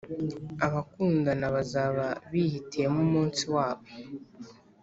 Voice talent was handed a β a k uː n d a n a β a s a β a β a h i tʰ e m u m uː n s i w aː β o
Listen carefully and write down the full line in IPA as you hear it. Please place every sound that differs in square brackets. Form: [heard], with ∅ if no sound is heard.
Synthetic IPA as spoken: a β a k uː n d a n a β a [z] a β a β [i] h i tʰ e m u m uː n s i w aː β o